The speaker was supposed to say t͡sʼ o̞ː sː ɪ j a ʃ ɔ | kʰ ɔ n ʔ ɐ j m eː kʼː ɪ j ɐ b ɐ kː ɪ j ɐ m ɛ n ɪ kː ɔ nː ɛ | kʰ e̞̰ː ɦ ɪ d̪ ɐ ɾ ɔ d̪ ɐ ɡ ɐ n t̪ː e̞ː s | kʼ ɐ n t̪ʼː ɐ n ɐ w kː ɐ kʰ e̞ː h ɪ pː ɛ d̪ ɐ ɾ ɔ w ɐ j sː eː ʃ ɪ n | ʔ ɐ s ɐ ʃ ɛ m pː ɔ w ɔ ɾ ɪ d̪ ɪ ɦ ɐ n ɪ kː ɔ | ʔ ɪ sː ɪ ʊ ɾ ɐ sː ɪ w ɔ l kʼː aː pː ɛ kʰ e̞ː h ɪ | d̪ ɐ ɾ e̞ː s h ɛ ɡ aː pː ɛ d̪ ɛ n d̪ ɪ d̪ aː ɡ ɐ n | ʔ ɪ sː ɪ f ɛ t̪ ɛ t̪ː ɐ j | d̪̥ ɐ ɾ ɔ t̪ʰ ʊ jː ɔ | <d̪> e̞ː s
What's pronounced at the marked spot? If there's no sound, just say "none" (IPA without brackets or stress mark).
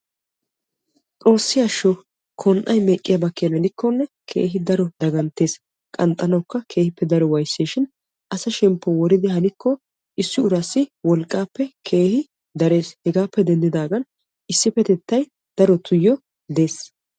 d̪